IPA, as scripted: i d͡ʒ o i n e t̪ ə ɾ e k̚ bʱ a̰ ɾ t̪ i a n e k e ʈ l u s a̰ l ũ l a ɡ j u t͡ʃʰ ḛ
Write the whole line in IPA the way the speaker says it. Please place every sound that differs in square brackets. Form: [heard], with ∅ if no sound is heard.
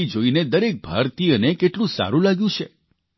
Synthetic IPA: i d͡ʒ o i n e [d̪] ə ɾ e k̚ bʱ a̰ ɾ t̪ i [ə] n e k e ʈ l [ũ] s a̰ [ɾ] ũ l a ɡ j [ũ] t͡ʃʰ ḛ